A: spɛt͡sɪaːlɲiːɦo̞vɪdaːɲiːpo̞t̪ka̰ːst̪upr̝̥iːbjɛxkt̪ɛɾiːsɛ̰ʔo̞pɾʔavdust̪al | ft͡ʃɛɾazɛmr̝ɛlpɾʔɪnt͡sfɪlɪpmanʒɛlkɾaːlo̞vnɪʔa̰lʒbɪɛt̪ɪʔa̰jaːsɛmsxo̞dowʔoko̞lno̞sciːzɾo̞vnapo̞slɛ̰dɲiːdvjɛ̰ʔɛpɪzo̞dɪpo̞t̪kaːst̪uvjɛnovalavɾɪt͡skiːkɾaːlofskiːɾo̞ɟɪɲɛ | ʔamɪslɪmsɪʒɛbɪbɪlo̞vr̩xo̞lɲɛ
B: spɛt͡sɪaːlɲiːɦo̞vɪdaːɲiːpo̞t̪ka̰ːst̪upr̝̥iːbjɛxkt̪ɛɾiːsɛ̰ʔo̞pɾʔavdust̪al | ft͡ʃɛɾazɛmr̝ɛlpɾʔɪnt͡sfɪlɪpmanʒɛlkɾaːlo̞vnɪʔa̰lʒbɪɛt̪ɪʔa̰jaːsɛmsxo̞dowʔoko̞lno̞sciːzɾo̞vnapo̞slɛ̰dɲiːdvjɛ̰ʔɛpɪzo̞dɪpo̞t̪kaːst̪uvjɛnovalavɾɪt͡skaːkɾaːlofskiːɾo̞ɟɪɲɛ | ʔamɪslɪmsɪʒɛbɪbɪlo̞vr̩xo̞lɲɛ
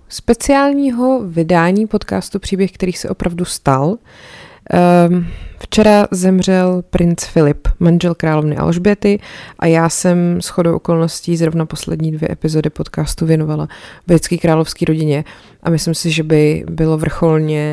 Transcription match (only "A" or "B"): A